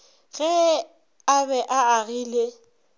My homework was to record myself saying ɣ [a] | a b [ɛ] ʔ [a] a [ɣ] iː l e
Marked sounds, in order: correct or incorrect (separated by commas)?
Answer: incorrect, correct, correct, correct